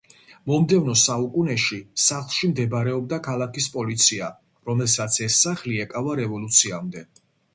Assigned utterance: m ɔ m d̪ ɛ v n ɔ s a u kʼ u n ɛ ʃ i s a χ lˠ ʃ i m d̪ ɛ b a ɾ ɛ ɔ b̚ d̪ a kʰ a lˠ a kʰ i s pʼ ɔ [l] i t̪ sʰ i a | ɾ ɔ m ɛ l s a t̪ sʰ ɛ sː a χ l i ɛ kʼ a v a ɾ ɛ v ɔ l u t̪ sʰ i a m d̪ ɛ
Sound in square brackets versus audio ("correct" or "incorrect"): correct